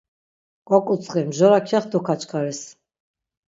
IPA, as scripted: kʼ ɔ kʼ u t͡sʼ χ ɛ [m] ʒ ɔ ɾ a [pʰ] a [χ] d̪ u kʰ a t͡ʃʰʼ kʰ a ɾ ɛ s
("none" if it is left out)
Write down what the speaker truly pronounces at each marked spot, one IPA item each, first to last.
m, kʰ, χ

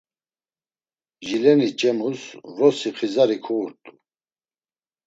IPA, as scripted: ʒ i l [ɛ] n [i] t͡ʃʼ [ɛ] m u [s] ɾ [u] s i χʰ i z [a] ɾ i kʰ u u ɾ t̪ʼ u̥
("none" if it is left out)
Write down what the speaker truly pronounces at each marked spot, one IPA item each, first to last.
ɛ, i, ɛ, s, ɔ, a

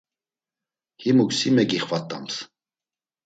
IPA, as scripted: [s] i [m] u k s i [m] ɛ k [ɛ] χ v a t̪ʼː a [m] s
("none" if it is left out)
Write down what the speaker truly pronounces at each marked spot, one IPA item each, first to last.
h, m, m, i, m

